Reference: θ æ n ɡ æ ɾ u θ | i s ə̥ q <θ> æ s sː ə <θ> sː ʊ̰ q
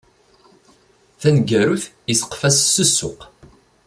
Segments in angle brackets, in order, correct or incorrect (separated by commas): incorrect, incorrect